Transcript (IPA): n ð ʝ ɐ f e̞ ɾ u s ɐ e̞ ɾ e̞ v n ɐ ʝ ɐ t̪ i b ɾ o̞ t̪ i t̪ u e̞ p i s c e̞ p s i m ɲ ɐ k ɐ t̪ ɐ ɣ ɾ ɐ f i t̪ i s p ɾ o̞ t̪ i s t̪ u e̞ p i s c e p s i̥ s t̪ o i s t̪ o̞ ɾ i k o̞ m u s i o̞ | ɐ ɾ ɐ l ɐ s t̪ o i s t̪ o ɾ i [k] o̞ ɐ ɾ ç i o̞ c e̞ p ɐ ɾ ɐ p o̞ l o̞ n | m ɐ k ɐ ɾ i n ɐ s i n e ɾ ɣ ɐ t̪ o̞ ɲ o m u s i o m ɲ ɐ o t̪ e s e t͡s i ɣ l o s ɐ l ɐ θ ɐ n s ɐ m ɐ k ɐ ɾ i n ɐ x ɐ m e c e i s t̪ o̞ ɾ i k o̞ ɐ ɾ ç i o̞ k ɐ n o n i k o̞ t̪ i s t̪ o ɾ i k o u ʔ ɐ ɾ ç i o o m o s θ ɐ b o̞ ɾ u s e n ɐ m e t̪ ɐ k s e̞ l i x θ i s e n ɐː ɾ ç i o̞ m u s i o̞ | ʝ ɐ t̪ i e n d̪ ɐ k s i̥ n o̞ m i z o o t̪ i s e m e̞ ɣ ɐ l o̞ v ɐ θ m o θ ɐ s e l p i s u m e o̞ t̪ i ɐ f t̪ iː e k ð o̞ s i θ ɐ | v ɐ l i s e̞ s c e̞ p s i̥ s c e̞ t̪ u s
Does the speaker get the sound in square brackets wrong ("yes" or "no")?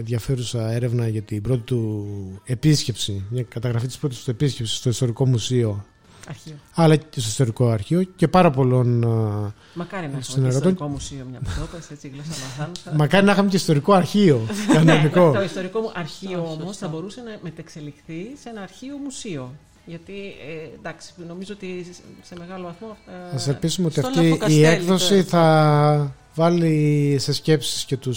no